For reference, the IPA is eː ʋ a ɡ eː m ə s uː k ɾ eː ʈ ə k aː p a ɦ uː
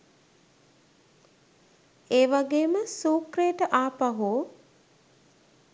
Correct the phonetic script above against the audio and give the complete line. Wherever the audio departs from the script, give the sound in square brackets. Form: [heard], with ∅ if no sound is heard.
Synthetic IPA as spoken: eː ʋ a ɡ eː m ə s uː k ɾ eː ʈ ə [ʔ] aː p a ɦ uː